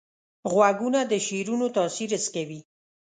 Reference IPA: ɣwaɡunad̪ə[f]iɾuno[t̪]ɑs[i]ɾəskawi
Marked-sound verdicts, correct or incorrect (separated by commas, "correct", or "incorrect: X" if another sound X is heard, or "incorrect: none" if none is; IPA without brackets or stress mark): incorrect: ʃ, correct, correct